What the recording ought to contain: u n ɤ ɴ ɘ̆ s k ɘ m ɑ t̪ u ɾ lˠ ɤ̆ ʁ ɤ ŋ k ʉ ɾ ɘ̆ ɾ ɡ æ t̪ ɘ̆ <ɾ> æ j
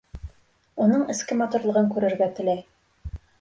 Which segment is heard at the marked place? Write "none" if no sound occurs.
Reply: l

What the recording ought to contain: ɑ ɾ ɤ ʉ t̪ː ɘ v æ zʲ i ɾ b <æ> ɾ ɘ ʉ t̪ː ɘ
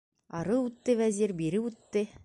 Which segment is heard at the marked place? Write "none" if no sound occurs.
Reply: i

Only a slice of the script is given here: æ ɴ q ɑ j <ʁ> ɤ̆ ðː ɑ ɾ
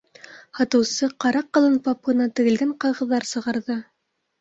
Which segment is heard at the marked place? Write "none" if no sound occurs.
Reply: ʁ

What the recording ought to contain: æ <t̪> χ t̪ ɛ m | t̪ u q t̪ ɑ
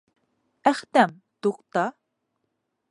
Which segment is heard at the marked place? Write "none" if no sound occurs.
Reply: none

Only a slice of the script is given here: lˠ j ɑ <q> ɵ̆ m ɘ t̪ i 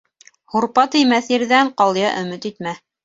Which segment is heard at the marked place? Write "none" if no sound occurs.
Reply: ʔ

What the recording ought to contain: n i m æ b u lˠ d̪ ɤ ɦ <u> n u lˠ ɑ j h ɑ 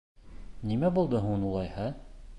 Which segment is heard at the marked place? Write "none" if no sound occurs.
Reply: u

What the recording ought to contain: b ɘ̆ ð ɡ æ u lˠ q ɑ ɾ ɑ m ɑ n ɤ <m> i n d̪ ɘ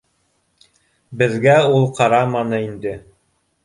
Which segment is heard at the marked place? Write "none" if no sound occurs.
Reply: none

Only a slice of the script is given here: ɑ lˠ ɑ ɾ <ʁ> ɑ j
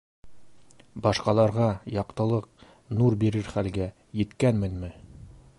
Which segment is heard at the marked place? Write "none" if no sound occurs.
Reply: ʁ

